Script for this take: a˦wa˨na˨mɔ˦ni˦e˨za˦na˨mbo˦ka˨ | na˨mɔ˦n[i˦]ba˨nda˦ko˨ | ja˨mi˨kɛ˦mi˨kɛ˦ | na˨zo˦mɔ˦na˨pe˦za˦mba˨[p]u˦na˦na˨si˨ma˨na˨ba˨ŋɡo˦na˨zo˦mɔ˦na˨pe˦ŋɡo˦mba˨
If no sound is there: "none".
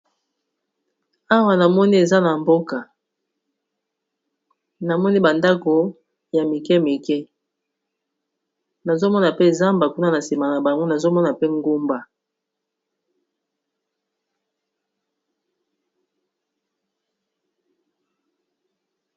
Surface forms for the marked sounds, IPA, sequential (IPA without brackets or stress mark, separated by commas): i˦, k